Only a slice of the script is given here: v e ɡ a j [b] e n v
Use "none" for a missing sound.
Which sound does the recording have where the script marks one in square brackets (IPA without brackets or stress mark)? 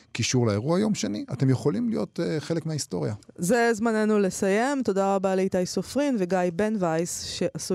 b